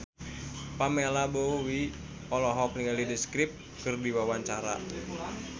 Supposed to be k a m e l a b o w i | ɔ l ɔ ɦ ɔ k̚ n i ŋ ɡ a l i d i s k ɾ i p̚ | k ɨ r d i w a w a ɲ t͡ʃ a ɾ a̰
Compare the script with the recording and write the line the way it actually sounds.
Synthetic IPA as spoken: p a m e l a b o w i | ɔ l ɔ ɦ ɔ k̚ n i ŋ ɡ a l i d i s k ɾ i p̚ | k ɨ r d i w a w a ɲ t͡ʃ a ɾ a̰